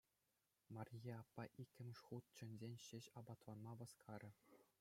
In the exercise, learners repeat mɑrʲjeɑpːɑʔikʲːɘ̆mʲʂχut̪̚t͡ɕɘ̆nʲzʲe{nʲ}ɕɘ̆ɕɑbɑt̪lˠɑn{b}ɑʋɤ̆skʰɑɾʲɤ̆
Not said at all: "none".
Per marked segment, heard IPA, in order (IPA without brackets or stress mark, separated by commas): nʲ, m